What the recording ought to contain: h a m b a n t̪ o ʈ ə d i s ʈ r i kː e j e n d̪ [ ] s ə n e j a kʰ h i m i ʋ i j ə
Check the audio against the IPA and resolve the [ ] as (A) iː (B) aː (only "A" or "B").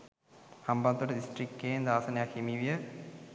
B